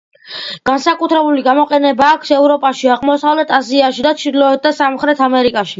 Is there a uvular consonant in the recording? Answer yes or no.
yes